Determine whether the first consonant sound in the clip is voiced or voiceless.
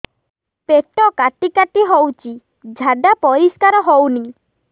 voiceless